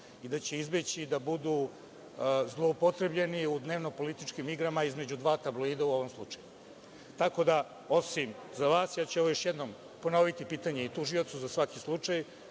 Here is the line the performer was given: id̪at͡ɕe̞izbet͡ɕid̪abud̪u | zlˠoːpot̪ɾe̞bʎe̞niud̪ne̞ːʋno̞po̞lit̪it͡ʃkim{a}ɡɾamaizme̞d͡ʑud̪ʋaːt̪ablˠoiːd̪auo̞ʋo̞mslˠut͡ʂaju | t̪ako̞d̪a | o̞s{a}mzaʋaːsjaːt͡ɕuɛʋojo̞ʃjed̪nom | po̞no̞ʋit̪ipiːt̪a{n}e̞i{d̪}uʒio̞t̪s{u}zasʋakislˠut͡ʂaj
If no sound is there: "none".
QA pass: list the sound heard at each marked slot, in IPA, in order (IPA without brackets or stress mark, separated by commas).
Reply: i, i, ɲ, t̪, u